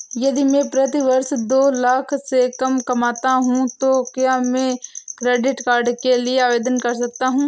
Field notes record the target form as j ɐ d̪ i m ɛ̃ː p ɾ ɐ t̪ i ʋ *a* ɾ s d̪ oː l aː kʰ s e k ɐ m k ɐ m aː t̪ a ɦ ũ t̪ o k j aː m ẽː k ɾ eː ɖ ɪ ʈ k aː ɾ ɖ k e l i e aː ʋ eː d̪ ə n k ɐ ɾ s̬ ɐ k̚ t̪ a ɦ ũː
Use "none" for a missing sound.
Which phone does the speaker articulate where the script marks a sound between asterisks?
ɐ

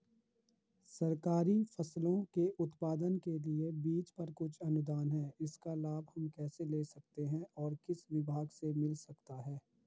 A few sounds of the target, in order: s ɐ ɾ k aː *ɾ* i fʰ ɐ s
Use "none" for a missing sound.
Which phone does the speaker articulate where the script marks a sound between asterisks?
ɾ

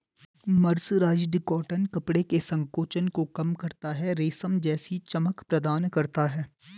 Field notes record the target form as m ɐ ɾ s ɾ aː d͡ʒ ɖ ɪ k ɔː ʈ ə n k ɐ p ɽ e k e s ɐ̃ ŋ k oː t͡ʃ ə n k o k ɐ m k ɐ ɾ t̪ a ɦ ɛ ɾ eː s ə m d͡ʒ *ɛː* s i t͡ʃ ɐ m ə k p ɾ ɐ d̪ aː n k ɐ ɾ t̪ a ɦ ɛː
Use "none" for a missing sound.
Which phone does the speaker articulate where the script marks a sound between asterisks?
ɛː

